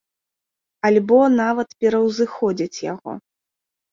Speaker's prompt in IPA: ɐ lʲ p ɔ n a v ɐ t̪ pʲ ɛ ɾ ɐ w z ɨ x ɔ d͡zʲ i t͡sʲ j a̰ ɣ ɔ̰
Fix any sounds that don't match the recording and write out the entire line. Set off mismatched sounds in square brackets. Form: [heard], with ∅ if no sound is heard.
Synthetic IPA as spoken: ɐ lʲ [b] ɔ n a v ɐ t̪ pʲ ɛ ɾ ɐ w z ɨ x ɔ d͡zʲ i t͡sʲ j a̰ ɣ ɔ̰